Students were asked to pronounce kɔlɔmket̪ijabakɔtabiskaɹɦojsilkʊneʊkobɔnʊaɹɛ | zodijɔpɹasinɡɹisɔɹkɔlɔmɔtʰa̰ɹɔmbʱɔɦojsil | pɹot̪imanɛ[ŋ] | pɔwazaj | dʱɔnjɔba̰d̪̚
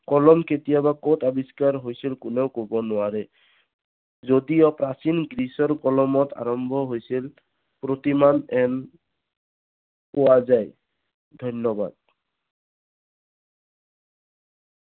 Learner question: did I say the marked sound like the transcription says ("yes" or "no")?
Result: no